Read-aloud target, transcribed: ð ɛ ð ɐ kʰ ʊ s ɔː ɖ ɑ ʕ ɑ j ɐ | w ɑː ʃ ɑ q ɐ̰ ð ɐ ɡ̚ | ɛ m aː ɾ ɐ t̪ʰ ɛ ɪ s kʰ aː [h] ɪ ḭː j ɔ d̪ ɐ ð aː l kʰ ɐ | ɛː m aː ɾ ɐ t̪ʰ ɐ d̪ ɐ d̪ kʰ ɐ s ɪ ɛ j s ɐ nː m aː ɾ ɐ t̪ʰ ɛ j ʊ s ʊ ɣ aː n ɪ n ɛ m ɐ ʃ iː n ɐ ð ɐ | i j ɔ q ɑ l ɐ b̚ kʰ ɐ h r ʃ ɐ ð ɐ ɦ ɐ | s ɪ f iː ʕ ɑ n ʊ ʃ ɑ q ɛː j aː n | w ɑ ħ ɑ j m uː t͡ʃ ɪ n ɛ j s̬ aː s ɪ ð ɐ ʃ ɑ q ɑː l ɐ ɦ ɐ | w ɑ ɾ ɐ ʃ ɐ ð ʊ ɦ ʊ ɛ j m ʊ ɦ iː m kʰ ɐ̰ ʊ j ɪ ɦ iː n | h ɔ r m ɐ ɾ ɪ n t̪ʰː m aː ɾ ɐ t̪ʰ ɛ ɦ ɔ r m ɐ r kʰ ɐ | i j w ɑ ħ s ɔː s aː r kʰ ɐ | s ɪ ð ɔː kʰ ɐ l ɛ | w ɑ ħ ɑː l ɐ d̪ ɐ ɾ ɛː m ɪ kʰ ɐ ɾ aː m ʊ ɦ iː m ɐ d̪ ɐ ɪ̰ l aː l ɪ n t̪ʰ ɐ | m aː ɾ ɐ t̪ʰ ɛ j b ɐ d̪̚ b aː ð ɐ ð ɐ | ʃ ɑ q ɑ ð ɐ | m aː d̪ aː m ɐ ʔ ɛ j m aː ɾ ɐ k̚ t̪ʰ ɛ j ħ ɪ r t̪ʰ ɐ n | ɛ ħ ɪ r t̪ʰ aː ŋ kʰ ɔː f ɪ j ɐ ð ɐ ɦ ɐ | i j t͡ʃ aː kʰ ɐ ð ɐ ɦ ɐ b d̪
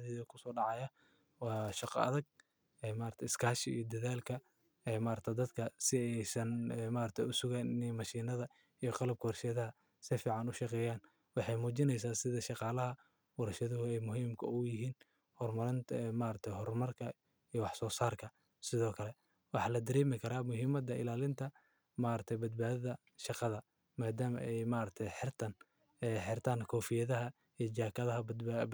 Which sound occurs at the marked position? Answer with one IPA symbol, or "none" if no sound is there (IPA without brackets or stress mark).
ʃ